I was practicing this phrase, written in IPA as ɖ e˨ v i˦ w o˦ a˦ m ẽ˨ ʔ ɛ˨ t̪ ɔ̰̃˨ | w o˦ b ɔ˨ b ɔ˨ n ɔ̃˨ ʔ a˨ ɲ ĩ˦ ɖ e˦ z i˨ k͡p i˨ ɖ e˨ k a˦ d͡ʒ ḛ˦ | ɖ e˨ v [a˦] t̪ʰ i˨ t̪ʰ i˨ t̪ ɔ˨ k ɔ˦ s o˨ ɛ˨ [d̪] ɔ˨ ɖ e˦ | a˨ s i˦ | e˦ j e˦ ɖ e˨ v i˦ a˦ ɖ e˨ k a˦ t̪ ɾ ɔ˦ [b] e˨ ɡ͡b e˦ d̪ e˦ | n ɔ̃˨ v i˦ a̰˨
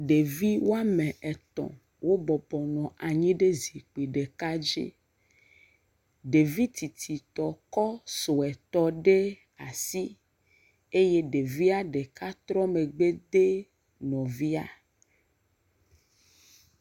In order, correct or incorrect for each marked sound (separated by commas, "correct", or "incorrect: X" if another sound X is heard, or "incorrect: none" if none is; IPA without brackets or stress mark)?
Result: incorrect: i˦, incorrect: t̪, incorrect: m